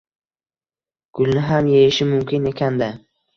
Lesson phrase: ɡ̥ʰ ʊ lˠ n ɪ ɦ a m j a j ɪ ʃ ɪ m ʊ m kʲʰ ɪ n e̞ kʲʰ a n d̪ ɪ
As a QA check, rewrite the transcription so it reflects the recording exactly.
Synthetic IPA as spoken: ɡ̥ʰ ʊ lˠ n ɪ ɦ a m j e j ɪ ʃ ɪ m ʊ m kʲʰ ɪ n e̞ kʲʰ a n d̪ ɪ